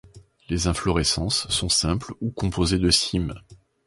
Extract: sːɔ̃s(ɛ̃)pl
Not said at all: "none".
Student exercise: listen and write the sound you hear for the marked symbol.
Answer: ɛ̃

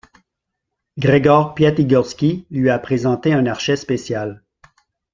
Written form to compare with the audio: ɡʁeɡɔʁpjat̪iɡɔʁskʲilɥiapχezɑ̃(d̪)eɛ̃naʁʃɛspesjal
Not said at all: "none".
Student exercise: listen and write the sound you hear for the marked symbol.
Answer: t̪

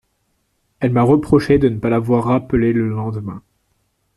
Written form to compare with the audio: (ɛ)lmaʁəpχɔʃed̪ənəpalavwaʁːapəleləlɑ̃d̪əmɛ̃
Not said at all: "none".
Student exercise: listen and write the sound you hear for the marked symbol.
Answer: ɛ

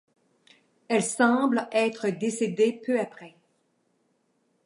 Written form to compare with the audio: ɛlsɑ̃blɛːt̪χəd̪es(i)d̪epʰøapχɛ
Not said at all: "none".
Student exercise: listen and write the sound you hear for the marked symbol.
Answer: e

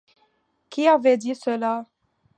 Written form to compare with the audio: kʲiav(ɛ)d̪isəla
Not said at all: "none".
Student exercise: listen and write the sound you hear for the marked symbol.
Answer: ɛ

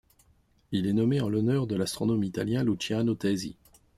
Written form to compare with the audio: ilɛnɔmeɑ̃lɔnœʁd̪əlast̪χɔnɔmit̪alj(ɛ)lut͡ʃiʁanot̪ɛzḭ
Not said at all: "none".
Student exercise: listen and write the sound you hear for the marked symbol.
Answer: ɛ̃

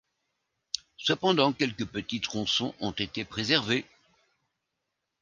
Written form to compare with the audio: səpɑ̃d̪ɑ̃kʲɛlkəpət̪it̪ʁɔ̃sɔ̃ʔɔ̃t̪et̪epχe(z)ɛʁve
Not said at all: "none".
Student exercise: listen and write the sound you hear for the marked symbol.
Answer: z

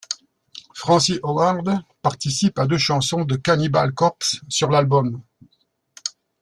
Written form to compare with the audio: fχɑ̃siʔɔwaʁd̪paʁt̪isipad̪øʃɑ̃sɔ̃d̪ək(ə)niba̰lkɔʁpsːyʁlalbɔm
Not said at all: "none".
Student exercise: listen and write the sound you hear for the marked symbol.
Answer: a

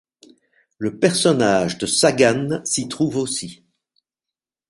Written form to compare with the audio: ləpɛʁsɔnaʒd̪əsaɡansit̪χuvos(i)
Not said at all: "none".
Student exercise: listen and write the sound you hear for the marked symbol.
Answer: i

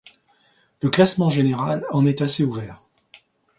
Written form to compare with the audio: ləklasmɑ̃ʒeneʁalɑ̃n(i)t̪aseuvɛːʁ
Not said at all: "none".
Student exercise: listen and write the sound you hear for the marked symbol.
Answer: ɛ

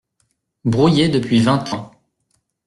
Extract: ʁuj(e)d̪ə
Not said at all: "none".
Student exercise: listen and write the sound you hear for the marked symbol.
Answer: e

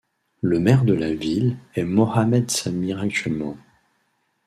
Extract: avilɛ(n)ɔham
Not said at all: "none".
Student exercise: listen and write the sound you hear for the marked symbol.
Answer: m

